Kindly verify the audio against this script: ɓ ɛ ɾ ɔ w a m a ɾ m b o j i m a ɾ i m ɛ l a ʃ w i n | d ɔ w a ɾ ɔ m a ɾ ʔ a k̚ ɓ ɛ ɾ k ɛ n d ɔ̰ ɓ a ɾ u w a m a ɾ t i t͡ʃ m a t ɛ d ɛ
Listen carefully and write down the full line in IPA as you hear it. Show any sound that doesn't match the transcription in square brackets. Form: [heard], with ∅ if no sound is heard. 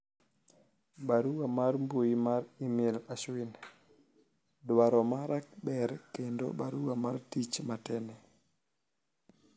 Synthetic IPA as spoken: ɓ [a] ɾ [u] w a m a ɾ m b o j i m a ɾ i m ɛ l a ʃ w i n | d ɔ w a ɾ ɔ m a ɾ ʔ a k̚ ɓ ɛ ɾ k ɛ n d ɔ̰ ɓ a ɾ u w a m a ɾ t i t͡ʃ m a t ɛ [n] ɛ